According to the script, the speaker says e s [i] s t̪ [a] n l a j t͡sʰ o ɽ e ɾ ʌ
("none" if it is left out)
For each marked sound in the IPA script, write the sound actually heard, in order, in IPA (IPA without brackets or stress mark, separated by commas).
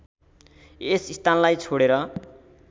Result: i, a